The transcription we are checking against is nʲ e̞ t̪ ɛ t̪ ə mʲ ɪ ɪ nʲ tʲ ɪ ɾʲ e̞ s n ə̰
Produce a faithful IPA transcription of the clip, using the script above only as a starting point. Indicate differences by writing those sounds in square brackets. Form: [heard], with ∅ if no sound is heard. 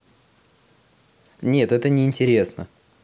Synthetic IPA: nʲ e̞ t̪ ɛ t̪ ə [nʲ] ɪ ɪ nʲ tʲ ɪ ɾʲ e̞ s n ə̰